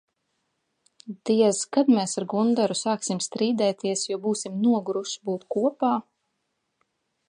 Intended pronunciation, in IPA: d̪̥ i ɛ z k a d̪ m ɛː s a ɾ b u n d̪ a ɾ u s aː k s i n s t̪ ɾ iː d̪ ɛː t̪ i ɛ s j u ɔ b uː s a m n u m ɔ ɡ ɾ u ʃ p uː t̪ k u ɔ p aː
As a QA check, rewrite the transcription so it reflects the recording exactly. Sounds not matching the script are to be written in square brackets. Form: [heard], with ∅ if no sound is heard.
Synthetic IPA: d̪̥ i ɛ z k a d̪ m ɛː s a ɾ [ɡ] u n d̪ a ɾ u s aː k s i [m] s t̪ ɾ iː d̪ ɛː t̪ i ɛ s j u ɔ b uː s [i] m n u [∅] ɔ ɡ ɾ u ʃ [b] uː t̪ k u ɔ p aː